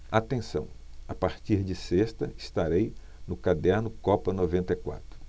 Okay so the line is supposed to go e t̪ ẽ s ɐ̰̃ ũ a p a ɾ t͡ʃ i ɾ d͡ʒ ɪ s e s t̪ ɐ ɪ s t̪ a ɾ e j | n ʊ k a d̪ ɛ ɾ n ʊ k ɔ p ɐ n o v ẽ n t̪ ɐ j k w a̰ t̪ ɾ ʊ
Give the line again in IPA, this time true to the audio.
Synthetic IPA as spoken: a t̪ ẽ s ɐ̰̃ w̃ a p a ɾ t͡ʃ i ɾ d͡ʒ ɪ s e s t̪ ɐ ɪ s t̪ a ɾ e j | n ʊ k a d̪ ɛ ɾ n ʊ k ɔ p ɐ n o v ẽ n t̪ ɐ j k w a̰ t̪ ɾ ʊ